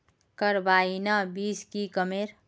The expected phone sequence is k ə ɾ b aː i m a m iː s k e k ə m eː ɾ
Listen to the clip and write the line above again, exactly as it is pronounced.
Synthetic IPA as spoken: k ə ɾ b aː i n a b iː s k i k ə m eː ɾ